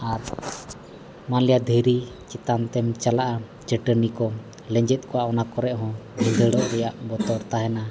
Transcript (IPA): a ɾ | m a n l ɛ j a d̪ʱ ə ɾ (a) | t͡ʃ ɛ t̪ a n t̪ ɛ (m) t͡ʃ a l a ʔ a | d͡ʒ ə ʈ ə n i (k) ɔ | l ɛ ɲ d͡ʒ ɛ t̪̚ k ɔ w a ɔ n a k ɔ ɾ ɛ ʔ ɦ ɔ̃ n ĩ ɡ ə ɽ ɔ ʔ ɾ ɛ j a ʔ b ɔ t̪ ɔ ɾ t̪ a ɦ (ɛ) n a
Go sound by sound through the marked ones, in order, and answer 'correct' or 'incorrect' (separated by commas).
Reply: incorrect, correct, correct, correct